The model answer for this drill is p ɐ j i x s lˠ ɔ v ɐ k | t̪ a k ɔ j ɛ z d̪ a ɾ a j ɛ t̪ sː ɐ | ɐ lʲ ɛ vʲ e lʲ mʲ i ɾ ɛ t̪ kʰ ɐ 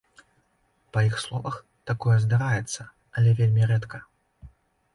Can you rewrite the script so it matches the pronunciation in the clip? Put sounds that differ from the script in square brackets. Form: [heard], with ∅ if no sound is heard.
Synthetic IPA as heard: p ɐ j i x s lˠ ɔ v ɐ [x] | t̪ a k ɔ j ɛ z d̪ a ɾ a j ɛ t̪ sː ɐ | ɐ lʲ ɛ vʲ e lʲ mʲ i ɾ ɛ t̪ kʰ ɐ